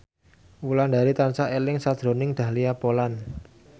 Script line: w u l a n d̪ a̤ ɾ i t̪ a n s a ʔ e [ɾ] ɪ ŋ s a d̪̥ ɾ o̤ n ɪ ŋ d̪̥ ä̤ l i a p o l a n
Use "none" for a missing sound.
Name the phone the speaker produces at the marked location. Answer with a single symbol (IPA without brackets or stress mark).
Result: l